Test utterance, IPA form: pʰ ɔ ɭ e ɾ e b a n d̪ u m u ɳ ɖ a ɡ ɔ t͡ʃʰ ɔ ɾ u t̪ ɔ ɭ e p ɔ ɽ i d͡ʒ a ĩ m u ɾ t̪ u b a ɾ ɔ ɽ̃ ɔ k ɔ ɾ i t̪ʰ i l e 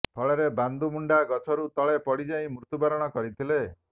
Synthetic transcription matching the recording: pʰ ɔ ɭ e ɾ e b a n d̪ u m u ɳ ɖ a ɡ ɔ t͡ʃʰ ɔ ɾ u t̪ ɔ ɭ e p ɔ ɽ i d͡ʒ a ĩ m u ɾ t̪ u b a ɾ ɔ ɽ̃ ɔ k ɔ ɾ i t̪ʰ i l e